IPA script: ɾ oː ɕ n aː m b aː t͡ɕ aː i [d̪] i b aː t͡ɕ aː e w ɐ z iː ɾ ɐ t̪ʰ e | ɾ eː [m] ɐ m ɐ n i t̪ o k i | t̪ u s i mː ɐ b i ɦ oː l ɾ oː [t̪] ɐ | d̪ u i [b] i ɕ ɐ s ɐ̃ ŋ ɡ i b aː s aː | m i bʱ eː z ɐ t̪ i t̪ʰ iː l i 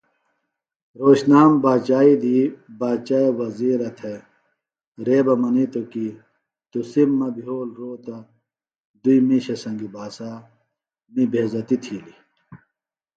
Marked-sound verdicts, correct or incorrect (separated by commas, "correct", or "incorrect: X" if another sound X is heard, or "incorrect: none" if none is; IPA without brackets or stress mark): correct, incorrect: b, correct, incorrect: m